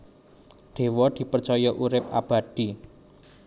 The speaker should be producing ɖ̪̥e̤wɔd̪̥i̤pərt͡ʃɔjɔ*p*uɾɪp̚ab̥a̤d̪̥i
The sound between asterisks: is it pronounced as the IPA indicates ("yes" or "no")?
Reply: no